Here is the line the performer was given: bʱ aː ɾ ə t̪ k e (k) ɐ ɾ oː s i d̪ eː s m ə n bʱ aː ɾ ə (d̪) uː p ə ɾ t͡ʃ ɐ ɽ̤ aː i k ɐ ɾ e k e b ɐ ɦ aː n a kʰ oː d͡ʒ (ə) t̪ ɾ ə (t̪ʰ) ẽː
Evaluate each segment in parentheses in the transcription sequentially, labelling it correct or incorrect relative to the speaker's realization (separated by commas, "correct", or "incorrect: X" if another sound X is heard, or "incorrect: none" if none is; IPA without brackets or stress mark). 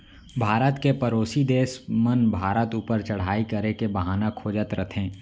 incorrect: p, incorrect: t̪, correct, correct